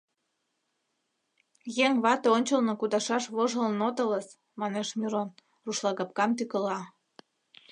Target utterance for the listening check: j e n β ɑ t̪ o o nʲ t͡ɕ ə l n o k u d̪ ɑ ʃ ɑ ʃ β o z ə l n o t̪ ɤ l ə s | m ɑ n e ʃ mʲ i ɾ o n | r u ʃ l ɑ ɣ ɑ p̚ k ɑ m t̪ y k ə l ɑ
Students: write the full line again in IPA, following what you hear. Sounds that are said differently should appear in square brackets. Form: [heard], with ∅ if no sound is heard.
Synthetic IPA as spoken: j e [ŋ] β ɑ t̪ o o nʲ t͡ɕ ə l n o k u d̪ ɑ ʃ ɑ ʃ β o [ʒ] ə l n o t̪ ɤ l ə s | m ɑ n e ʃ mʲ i ɾ o n | r u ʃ l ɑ ɣ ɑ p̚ k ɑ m t̪ y k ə l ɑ